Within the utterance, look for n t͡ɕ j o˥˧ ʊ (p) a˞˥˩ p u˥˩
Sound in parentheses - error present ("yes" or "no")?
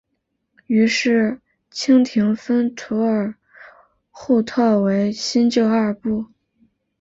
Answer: yes